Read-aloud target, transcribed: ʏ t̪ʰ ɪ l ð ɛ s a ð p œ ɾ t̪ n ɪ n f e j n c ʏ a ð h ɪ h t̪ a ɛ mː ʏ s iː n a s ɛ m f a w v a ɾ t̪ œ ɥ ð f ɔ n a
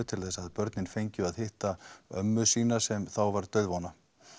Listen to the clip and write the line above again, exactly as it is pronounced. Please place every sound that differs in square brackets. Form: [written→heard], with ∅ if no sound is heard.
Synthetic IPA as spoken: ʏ t̪ʰ ɪ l [ð→θ] ɛ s a ð p œ ɾ t̪ n ɪ n f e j [n→ɲ] c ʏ a ð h ɪ h t̪ a [ɛ→œ] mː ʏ s iː n a s ɛ m [f→θ] a w v a ɾ t̪ œ ɥ ð [f→v] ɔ n a

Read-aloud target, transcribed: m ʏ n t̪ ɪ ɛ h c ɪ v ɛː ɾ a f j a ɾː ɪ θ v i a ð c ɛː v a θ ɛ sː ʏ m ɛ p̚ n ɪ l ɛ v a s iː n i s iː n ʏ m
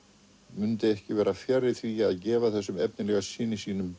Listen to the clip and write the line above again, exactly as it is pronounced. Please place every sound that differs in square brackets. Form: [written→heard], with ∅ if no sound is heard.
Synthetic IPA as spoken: m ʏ n t̪ ɪ ɛ h c ɪ v ɛː ɾ a f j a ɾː ɪ θ v i a ð c ɛː v a θ ɛ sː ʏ m ɛ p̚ n ɪ l ɛ [v→ɣ] a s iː n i s iː n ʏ m

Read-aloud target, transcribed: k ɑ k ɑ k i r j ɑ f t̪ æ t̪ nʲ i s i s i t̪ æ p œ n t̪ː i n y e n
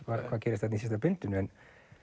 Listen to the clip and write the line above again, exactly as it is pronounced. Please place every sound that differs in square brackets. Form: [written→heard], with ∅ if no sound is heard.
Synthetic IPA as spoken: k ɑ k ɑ k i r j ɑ [f→s] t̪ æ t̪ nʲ i s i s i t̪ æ p [œ→y] n t̪ː [i→y] n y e n

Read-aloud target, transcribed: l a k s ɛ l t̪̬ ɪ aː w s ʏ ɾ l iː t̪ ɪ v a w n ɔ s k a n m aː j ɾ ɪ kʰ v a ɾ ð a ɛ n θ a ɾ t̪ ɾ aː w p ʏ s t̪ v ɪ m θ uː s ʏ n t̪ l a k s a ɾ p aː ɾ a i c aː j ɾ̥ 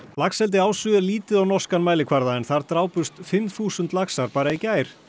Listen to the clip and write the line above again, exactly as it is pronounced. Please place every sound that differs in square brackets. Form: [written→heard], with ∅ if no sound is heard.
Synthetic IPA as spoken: l a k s ɛ l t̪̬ ɪ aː w s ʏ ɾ l iː t̪ ɪ [v→ð] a w n ɔ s k a n m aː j [ɾ→l] ɪ kʰ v a ɾ ð a ɛ n θ a ɾ t̪ ɾ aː w p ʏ s t̪ [v→f] ɪ m θ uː s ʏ n t̪ l a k s a ɾ p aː ɾ a i c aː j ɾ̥

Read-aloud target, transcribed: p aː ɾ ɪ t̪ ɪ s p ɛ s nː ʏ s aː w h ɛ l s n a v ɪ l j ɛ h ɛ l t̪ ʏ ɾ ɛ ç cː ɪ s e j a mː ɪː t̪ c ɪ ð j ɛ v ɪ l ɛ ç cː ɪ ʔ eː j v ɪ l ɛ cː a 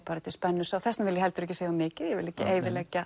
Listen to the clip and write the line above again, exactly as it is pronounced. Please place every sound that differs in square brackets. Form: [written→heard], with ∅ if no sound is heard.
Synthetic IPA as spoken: p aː ɾ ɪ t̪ ɪ s p ɛ [s→∅] nː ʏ s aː w [h→θ] ɛ [l→∅] s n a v ɪ l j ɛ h ɛ l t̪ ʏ ɾ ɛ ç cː ɪ s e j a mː ɪː [t̪→∅] c ɪ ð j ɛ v ɪ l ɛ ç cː ɪ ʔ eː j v ɪ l ɛ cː a

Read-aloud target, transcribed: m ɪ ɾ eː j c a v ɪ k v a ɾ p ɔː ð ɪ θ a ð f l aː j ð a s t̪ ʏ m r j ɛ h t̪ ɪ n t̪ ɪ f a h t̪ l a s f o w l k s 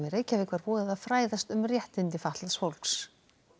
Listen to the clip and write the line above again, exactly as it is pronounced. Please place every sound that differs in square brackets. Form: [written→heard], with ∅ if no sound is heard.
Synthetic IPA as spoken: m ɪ ɾ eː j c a v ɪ k v a ɾ p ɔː ð ɪ [θ→ð] a ð f [l→ɾ] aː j ð a s t̪ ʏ m r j ɛ h t̪ ɪ n t̪ ɪ f a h t̪ l a s f o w l k s

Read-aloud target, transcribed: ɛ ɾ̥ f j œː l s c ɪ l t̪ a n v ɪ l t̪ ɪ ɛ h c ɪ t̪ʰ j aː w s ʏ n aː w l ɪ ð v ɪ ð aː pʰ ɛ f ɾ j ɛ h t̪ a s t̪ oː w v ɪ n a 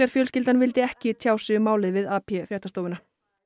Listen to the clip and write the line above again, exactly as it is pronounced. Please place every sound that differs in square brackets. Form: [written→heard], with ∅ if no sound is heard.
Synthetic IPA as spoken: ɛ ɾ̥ f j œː l s c ɪ l t̪ a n v ɪ l t̪ ɪ ɛ h c ɪ t̪ʰ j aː w s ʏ [n→m] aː w l ɪ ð v ɪ ð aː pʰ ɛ f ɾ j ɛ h t̪ a s t̪ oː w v ɪ n a

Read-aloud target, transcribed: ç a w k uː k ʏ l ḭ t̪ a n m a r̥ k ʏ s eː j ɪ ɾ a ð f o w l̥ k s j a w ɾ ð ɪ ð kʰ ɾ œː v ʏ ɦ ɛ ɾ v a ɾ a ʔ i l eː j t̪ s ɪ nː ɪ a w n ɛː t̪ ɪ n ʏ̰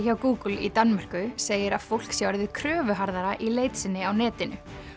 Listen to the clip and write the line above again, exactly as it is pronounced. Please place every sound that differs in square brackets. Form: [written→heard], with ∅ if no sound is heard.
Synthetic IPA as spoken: ç a w k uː k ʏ l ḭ t̪ a n m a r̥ k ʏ s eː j ɪ ɾ a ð f o w l̥ k s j a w ɾ ð ɪ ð kʰ ɾ œː v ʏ ɦ [ɛ→a] ɾ [v→ð] a ɾ a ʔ i l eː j t̪ s ɪ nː ɪ a w n ɛː t̪ ɪ n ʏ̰

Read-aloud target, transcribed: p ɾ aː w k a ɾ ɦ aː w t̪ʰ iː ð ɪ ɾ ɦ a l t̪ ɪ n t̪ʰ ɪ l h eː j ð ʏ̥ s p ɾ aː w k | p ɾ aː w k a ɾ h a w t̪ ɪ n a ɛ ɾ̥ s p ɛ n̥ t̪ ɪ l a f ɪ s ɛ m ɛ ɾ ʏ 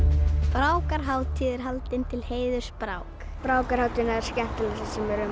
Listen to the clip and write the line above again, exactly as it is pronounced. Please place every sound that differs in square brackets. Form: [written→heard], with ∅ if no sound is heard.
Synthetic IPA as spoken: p ɾ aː w k a ɾ ɦ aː w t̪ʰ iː ð ɪ ɾ ɦ a l t̪ ɪ n t̪ʰ ɪ l h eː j ð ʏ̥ s p ɾ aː w k | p ɾ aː w k a ɾ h a w t̪ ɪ n a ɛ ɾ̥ s [p→c] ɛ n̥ t̪ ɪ l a [f→s] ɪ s ɛ m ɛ ɾ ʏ

